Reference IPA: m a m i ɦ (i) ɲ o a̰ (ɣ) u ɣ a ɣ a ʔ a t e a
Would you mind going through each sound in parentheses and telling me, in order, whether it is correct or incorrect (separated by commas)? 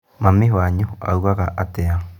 incorrect, incorrect